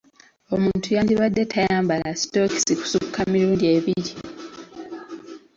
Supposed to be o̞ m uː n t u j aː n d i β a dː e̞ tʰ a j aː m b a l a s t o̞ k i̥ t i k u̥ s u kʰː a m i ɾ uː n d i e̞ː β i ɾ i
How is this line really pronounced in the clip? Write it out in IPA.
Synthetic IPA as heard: o̞ m uː n t u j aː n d i β a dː e̞ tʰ a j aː m b a l a s t o̞ k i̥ s i k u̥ s u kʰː a m i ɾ uː n d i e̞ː β i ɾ i